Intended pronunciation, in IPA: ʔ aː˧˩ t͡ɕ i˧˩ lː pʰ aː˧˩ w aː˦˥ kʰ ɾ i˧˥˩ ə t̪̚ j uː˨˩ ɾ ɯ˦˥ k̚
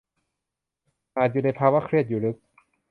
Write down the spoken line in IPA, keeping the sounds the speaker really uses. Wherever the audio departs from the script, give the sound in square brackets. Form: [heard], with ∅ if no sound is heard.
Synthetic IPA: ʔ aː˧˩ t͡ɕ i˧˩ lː pʰ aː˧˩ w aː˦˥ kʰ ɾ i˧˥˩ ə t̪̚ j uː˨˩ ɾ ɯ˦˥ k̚